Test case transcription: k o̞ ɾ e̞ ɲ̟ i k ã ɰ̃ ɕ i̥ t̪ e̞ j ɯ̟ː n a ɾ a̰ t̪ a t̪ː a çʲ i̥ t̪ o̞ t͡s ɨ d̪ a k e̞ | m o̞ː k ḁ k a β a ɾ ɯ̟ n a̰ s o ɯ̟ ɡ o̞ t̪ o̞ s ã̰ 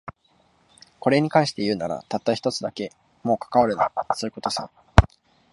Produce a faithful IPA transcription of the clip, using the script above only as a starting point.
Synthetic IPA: k o̞ ɾ e̞ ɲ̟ i k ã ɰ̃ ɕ i̥ t̪ e̞ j ɯ̟ː n a ɾ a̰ t̪ a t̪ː a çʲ i̥ t̪ o̞ t͡s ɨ d̪ a k e̞ | m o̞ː k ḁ k a β a ɾ ɯ̟ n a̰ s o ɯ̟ k o̞ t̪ o̞ s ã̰